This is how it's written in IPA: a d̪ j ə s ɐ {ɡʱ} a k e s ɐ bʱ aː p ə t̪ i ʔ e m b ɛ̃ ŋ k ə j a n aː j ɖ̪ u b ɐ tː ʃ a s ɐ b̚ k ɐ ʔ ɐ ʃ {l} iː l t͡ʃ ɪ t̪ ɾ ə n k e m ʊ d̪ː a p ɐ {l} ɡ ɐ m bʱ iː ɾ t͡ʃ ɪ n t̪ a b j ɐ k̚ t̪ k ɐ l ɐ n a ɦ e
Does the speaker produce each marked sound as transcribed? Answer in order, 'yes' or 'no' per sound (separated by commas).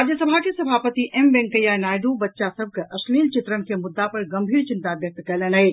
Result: no, yes, no